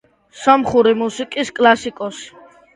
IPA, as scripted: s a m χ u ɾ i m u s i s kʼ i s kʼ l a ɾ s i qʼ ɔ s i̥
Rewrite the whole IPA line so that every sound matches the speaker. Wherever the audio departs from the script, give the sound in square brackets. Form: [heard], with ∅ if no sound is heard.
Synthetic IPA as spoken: s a m χ u ɾ i m u s i [∅] kʼ i s kʼ l a [∅] s i [kʼ] ɔ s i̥

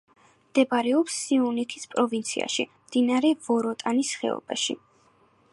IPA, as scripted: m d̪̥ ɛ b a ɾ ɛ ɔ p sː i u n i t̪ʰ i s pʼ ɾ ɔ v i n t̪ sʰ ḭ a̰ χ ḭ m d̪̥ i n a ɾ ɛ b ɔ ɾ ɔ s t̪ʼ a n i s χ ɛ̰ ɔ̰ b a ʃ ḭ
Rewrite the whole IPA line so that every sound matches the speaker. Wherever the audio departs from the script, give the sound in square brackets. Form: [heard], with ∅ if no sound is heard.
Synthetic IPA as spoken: m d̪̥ ɛ b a ɾ ɛ ɔ p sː i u n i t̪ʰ i s pʼ ɾ ɔ v i n t̪ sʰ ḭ a̰ [ʃ] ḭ m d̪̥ i n a ɾ ɛ [v] ɔ ɾ ɔ [∅] t̪ʼ a n i s χ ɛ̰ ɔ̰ b a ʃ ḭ

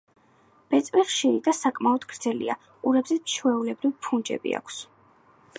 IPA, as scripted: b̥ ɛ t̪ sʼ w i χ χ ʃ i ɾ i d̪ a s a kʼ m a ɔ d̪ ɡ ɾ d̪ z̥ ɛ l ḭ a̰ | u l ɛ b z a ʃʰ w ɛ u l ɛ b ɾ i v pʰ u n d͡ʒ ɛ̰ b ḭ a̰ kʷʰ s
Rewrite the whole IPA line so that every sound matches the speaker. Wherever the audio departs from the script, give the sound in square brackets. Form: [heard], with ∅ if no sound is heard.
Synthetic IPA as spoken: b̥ ɛ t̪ sʼ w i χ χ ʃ i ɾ i d̪ a s a kʼ m a ɔ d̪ ɡ ɾ d̪ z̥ ɛ l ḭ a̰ | u [ɾ] ɛ b z [ɛ] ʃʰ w ɛ u l ɛ b ɾ i v pʰ u n d͡ʒ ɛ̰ b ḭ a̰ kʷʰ s

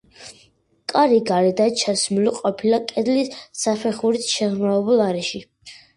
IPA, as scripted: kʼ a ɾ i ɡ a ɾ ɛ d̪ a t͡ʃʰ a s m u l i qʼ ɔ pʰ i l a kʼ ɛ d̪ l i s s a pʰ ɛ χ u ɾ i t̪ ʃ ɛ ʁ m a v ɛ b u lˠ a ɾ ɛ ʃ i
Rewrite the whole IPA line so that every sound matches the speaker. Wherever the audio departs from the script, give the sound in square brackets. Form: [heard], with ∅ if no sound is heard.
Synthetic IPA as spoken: kʼ a ɾ i ɡ a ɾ ɛ d̪ a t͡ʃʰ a s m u l i qʼ ɔ pʰ i l a kʼ ɛ d̪ l i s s a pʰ ɛ χ u ɾ i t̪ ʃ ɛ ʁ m a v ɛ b u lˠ a ɾ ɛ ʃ i

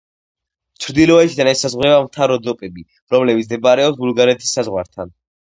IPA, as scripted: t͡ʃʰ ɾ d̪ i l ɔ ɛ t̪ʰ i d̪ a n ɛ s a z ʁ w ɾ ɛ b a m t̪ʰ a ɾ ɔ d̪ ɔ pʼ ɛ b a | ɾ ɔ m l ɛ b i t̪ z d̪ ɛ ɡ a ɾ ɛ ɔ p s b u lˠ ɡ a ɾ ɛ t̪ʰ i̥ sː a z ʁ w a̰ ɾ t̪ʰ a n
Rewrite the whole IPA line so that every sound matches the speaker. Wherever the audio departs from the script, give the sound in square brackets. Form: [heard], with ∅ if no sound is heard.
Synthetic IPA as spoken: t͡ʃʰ ɾ d̪ i l ɔ ɛ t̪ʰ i d̪ a n ɛ s a z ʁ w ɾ ɛ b a m t̪ʰ a ɾ ɔ d̪ ɔ pʼ ɛ b [i] | ɾ ɔ m l ɛ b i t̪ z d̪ ɛ [b] a ɾ ɛ ɔ p s b u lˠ ɡ a ɾ ɛ t̪ʰ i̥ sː a z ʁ w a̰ ɾ t̪ʰ a n

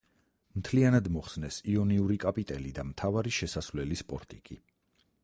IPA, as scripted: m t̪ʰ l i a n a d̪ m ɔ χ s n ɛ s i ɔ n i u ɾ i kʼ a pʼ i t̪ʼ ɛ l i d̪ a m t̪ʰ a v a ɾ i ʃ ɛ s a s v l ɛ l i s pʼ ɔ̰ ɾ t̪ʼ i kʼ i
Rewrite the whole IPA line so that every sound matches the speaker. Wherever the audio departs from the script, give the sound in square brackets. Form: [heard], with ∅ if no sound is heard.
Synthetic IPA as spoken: m t̪ʰ l i a n a d̪ m ɔ χ s n ɛ s i ɔ n i u ɾ i kʼ a pʼ i t̪ʼ ɛ l i d̪ a m t̪ʰ a v a ɾ i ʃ ɛ s a s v l ɛ l i s pʼ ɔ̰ ɾ t̪ʼ i kʼ i

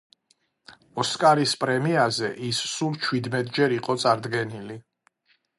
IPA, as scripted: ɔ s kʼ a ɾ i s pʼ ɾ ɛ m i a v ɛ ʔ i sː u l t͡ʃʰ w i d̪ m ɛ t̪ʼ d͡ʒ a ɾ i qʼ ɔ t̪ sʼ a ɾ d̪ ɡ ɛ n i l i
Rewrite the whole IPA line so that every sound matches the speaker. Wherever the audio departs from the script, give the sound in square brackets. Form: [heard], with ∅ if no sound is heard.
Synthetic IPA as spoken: ɔ s kʼ a ɾ i s pʼ ɾ ɛ m i a [z] ɛ ʔ i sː u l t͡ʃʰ w i d̪ m ɛ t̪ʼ d͡ʒ [ɛ] ɾ i qʼ ɔ t̪ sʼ a ɾ d̪ ɡ ɛ n i l i

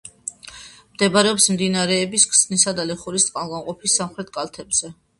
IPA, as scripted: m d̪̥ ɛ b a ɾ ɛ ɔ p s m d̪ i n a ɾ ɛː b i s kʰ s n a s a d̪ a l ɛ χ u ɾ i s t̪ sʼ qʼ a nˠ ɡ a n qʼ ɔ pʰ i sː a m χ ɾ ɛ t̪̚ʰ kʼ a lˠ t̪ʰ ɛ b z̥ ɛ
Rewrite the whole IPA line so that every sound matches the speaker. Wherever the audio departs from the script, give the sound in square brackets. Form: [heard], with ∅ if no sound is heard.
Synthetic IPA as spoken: m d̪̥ ɛ b a ɾ ɛ ɔ p s m d̪ i n a ɾ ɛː b i s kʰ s n [i] s a d̪ a l ɛ χ u ɾ i s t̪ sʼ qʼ a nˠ ɡ a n qʼ ɔ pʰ i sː a m χ ɾ ɛ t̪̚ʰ kʼ a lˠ t̪ʰ ɛ b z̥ ɛ

